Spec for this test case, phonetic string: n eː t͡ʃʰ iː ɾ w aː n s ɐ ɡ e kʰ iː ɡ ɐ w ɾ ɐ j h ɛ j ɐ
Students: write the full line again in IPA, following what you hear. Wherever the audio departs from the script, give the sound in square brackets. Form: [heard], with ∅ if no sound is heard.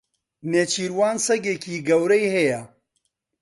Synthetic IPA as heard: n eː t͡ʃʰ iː ɾ w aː n s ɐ ɡ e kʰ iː ɡ ɐ w ɾ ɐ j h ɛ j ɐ